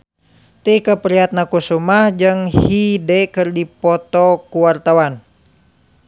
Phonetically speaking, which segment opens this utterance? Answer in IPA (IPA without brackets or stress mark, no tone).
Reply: t̪